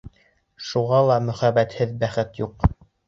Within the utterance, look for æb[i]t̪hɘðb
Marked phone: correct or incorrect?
incorrect